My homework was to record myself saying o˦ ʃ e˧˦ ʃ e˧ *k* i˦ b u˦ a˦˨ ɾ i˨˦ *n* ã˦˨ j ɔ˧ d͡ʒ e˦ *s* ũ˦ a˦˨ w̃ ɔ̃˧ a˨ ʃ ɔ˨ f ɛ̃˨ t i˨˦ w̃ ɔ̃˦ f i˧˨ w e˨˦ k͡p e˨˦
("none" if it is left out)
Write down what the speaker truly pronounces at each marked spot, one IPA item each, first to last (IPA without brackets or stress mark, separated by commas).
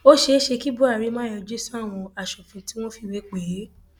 k, m, s